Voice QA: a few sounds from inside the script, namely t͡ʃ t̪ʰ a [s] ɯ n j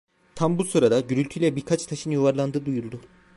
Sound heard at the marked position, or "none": ʃ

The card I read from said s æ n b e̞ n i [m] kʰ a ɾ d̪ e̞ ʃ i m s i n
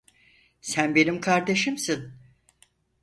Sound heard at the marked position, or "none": m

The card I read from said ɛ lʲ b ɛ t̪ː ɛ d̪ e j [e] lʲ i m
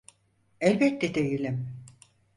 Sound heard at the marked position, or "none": i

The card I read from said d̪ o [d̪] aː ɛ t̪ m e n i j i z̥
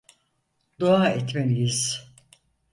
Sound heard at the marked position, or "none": none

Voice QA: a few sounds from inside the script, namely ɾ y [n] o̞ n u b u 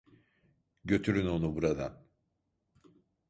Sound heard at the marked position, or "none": n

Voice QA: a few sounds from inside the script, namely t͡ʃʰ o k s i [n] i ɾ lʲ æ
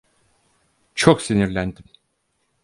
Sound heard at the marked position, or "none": n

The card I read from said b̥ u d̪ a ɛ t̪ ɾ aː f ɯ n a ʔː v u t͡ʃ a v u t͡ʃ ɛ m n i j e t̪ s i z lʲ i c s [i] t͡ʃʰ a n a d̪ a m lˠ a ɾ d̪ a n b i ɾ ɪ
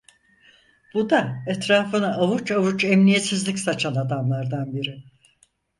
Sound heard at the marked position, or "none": a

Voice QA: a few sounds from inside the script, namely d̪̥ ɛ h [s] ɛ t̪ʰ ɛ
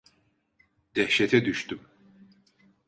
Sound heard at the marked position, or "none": ʃ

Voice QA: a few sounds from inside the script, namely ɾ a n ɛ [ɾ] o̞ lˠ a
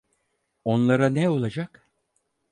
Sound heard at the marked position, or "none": none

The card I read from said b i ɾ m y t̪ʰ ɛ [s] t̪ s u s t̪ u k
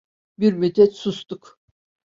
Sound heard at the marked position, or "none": none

